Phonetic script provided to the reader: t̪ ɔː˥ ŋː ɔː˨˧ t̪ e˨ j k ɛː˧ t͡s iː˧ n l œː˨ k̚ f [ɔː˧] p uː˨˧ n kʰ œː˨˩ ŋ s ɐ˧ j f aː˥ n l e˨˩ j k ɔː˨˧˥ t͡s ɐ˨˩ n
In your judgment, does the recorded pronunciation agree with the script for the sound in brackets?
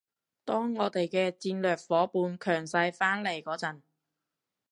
no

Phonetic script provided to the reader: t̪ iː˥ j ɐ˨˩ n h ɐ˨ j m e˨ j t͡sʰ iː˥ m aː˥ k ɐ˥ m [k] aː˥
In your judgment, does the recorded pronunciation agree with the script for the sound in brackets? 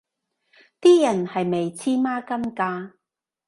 yes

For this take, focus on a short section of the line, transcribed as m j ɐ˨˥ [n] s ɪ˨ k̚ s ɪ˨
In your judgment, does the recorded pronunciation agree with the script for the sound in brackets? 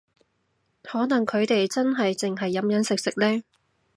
yes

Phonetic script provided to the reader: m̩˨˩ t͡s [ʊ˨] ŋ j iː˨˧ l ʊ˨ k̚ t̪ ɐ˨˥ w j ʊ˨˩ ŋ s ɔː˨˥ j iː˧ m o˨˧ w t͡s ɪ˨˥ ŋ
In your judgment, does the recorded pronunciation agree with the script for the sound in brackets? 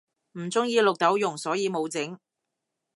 no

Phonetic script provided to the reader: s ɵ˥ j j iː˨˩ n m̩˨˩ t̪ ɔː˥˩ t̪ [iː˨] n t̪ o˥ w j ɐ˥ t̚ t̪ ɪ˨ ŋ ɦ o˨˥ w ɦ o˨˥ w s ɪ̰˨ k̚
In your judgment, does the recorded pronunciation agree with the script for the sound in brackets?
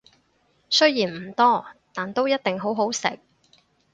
no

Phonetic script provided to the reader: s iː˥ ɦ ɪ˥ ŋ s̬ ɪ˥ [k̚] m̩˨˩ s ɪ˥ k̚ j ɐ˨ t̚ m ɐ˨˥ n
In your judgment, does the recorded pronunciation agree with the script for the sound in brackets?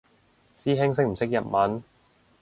yes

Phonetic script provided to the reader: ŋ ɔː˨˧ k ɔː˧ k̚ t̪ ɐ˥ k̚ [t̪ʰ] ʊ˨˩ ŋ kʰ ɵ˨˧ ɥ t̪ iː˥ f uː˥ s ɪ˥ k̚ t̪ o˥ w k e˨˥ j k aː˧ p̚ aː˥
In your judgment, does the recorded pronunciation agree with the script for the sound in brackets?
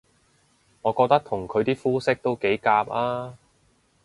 yes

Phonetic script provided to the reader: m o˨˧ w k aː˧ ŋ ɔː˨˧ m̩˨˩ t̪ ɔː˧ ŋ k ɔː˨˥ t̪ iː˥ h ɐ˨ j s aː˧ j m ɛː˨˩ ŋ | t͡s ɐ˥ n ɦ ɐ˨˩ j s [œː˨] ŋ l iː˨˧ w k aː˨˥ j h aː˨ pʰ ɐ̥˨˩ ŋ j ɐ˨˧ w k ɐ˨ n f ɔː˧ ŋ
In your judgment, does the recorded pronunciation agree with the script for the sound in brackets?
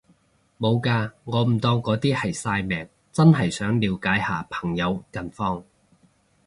no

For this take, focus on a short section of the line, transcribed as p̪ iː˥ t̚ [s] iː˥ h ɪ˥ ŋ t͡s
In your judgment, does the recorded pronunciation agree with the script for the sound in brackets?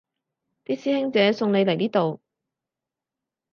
yes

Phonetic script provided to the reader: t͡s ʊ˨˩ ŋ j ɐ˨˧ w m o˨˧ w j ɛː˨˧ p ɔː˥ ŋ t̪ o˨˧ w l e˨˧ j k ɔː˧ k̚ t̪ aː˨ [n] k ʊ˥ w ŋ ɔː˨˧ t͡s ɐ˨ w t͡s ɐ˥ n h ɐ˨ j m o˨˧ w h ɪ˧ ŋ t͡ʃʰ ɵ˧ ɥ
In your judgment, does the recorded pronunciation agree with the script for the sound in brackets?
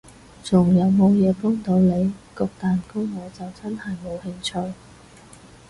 yes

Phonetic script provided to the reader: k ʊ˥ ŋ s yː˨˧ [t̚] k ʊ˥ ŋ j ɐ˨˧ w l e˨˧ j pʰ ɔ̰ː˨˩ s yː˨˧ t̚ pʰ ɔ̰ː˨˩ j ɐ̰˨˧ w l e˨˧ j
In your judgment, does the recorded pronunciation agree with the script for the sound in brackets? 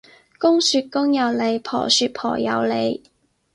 yes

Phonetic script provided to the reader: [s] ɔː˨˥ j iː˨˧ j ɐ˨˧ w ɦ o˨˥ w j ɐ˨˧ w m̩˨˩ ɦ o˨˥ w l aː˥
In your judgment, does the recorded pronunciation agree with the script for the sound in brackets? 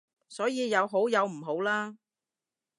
yes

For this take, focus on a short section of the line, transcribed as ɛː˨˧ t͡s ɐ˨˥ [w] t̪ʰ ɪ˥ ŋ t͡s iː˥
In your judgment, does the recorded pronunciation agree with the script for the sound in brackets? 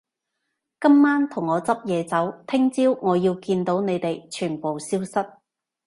yes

